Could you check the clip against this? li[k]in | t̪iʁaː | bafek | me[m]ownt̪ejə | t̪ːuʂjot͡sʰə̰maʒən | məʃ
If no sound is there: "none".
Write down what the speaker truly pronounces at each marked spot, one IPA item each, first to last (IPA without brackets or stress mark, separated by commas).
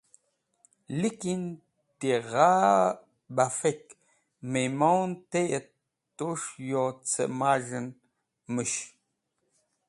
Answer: k, m